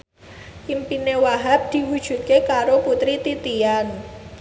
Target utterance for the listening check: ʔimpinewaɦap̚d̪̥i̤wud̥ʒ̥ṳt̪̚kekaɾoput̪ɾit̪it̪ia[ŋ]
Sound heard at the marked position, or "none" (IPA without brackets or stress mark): n